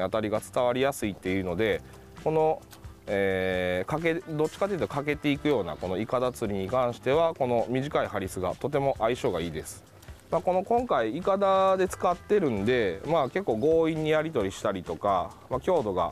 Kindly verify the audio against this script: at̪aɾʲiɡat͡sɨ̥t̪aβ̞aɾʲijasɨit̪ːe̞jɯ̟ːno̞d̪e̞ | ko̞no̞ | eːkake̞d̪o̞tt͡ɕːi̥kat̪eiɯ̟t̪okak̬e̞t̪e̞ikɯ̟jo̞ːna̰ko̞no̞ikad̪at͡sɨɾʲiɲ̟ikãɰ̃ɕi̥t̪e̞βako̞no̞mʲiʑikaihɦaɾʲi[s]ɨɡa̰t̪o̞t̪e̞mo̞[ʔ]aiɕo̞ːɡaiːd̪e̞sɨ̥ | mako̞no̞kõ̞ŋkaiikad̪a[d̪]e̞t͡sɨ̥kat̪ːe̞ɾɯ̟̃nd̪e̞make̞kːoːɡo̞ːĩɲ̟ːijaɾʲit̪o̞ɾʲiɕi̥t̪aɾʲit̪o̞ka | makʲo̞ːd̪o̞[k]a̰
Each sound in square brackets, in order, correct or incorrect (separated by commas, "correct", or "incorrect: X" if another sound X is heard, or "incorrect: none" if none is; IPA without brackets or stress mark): correct, correct, correct, incorrect: ɡ